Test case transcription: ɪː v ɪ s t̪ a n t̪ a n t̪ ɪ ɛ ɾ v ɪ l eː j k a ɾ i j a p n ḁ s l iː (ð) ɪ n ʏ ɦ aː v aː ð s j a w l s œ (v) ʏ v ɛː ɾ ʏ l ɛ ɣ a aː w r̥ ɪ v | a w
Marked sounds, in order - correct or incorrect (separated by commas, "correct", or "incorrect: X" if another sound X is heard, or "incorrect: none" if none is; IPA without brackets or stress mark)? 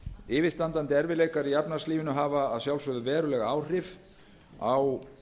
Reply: incorrect: v, incorrect: ð